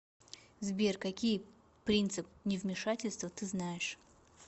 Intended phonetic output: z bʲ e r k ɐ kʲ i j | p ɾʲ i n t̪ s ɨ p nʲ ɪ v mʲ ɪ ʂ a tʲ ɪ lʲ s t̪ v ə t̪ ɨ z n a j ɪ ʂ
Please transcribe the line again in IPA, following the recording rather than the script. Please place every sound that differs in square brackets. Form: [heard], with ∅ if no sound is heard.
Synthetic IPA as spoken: z bʲ e r k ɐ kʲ i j | p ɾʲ i n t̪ s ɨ p nʲ ɪ v mʲ ɪ ʂ a tʲ ɪ lʲ s t̪ v ə t̪ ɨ z n a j ɪ ʂ